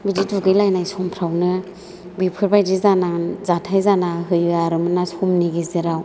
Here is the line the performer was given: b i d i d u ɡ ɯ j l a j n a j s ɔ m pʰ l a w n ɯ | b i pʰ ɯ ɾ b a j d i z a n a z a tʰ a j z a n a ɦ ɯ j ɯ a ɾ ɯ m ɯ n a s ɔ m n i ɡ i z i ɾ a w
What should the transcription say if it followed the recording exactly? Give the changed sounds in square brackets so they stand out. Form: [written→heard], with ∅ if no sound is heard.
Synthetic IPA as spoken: b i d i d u ɡ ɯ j l a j n a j s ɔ m pʰ [l→ɾ] a w n ɯ | b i pʰ ɯ ɾ b a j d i z a n a z a tʰ a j z a n a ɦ ɯ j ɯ a ɾ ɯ m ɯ n a s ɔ m n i ɡ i z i ɾ a w